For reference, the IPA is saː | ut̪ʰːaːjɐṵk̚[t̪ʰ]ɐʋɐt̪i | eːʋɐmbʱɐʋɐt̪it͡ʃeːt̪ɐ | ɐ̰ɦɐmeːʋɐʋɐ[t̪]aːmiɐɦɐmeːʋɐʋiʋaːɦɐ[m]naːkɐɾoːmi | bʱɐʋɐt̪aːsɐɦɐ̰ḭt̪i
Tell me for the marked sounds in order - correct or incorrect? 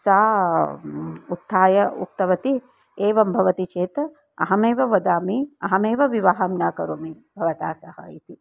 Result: incorrect: t̪, incorrect: d̪, correct

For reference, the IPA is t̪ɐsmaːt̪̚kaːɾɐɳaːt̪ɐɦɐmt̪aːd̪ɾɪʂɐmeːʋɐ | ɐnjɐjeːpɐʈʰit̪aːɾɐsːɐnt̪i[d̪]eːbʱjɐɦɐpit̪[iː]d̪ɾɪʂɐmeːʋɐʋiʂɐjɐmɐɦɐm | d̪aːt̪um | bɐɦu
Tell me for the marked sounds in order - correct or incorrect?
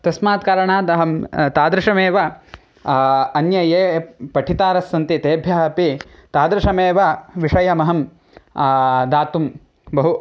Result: incorrect: t̪, incorrect: aː

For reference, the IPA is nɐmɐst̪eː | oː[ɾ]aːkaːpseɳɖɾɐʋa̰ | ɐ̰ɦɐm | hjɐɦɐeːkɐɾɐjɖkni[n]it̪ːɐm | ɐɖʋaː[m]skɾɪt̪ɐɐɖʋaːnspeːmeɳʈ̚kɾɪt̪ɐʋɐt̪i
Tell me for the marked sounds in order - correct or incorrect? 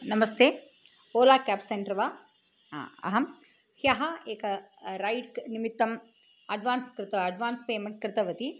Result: incorrect: l, incorrect: m, incorrect: n

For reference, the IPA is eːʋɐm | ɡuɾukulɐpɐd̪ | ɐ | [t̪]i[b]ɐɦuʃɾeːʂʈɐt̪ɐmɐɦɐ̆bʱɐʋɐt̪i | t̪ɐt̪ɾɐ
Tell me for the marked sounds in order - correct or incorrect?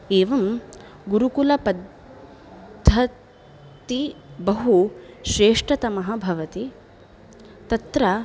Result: correct, correct

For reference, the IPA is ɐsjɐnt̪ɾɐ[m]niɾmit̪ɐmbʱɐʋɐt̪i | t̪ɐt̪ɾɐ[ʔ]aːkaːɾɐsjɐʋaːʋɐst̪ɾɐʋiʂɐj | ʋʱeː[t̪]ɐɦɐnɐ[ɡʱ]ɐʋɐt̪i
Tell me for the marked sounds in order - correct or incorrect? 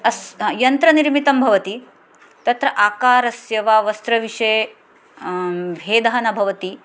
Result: incorrect: none, correct, incorrect: d̪, incorrect: bʱ

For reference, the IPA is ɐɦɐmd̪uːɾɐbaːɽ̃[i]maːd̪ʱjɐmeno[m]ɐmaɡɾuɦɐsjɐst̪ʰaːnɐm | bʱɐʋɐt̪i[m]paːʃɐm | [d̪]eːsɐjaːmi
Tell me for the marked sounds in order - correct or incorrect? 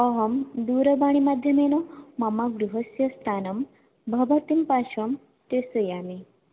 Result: correct, correct, correct, incorrect: t̪

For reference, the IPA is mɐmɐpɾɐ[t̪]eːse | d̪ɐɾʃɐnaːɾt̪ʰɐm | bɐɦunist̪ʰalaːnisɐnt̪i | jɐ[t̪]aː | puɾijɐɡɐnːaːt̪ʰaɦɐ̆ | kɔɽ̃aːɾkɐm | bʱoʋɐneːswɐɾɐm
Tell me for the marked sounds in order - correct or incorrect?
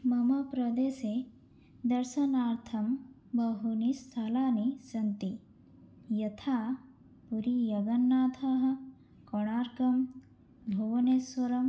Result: incorrect: d̪, incorrect: t̪ʰ

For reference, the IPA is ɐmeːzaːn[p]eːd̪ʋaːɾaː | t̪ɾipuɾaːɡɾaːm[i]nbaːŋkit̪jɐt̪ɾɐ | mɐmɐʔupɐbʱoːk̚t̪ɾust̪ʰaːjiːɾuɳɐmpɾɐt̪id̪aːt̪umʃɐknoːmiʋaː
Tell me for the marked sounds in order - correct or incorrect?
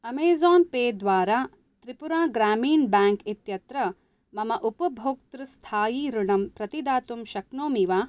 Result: correct, incorrect: iː

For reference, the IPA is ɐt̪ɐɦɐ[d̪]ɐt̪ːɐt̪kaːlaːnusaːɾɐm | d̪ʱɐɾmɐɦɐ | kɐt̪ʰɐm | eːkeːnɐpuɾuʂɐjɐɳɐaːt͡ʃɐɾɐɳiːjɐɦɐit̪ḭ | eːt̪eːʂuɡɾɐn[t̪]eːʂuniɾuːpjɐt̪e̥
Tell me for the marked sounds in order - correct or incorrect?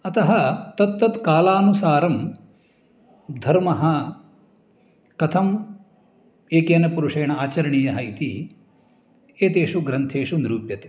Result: incorrect: t̪, incorrect: t̪ʰ

